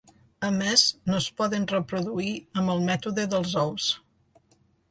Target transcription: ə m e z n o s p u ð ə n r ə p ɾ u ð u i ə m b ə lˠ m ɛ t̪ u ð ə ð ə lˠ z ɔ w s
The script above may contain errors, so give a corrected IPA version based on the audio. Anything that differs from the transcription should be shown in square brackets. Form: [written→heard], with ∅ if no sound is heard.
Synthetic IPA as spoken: ə m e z n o s p [u→ɔ] ð ə n r ə p ɾ u ð u i ə m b ə lˠ m ɛ t̪ u ð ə ð ə lˠ z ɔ w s